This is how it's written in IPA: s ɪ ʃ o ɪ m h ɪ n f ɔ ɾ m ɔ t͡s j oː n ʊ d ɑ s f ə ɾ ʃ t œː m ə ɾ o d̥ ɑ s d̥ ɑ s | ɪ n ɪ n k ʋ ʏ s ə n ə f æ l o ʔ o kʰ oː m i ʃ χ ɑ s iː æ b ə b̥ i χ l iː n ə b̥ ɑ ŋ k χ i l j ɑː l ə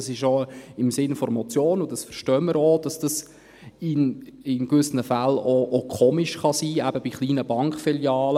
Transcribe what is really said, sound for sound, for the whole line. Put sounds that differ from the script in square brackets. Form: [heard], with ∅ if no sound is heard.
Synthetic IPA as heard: s ɪ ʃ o ɪ m [s] ɪ n f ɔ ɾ m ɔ t͡s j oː n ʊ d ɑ s f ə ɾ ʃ t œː m ə ɾ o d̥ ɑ s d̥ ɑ s | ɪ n ɪ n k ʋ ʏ s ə n ə f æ l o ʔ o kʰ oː m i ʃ χ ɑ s iː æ b ə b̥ i χ l iː n ə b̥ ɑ ŋ k [f] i l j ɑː l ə